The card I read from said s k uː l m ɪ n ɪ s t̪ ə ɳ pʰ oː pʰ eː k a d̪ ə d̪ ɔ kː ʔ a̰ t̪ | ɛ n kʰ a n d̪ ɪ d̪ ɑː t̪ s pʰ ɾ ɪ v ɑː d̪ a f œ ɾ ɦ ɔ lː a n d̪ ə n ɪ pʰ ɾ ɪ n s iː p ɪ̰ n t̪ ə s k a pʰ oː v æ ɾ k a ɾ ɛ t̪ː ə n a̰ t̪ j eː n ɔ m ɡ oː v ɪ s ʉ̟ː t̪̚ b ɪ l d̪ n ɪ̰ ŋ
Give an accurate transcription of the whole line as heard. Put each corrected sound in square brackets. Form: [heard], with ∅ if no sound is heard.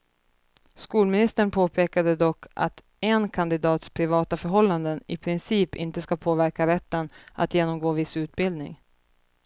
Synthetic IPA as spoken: s k uː l m ɪ n ɪ s t̪ ə ɳ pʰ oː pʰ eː k a d̪ ə d̪ ɔ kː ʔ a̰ t̪ | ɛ n kʰ a n d̪ ɪ d̪ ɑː t̪ s pʰ ɾ ɪ v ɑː [t̪] a f œ ɾ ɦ ɔ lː a n d̪ ə n ɪ pʰ ɾ ɪ n s iː p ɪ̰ n t̪ ə s k a pʰ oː v æ ɾ k a ɾ ɛ t̪ː ə n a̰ t̪ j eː n ɔ m ɡ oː v ɪ s ʉ̟ː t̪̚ b ɪ l d̪ n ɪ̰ ŋ